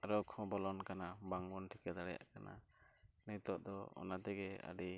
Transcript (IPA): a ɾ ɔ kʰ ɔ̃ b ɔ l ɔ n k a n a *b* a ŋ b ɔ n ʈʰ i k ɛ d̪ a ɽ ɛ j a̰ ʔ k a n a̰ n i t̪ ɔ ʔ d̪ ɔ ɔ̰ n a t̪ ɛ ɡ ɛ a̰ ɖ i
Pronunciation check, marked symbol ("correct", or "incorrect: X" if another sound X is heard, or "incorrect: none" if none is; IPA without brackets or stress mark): correct